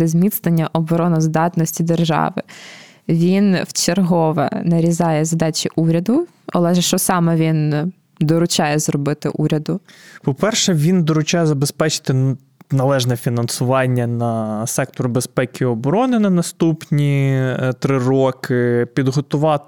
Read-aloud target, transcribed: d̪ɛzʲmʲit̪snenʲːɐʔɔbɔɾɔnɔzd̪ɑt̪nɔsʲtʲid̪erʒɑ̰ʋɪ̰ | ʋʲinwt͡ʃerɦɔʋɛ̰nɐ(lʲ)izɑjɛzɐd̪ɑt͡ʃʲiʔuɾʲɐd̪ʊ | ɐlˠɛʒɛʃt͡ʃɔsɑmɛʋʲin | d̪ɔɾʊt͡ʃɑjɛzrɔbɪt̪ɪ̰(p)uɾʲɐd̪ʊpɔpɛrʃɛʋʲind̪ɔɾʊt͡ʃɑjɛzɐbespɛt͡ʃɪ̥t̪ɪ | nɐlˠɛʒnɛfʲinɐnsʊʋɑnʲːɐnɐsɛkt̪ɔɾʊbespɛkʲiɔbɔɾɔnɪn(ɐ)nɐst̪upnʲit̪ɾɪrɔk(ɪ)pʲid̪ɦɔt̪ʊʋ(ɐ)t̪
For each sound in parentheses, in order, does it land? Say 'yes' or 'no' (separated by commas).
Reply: no, no, yes, yes, no